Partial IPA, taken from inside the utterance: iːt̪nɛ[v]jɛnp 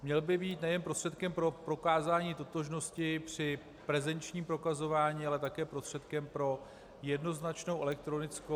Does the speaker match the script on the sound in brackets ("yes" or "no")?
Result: no